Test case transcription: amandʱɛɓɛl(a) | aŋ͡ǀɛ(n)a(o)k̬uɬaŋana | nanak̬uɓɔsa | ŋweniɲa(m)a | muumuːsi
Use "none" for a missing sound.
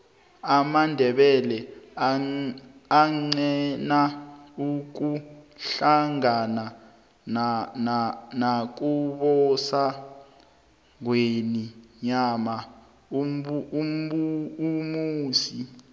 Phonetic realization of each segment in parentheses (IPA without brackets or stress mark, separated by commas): ɛ, n, u, m